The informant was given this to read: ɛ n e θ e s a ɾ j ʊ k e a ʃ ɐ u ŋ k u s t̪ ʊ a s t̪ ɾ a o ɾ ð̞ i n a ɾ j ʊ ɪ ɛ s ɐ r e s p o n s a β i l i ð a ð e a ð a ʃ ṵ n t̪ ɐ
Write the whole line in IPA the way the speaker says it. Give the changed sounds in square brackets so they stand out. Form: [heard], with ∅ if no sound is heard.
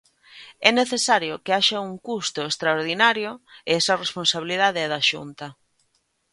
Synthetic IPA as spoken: ɛ n e θ e s a ɾ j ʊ k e a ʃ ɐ u ŋ k u s t̪ ʊ [e] s t̪ ɾ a o ɾ ð̞ i n a ɾ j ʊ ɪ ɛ s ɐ r e s p o n s a β i l i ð a ð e [ɛ] ð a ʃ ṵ n t̪ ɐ